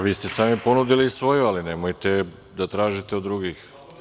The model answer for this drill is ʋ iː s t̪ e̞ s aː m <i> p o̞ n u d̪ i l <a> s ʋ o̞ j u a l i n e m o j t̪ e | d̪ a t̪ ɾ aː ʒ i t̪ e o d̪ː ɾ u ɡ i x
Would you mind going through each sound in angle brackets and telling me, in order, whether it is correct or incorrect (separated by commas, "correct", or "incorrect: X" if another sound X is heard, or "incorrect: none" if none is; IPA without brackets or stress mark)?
correct, incorrect: i